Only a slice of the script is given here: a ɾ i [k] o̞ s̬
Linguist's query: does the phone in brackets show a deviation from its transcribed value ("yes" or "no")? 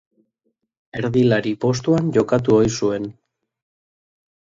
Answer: yes